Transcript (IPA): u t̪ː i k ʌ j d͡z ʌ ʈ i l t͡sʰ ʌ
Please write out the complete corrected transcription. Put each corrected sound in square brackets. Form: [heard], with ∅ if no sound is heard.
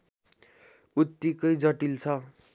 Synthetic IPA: u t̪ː i k ʌ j d͡z ʌ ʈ i l t͡sʰ ʌ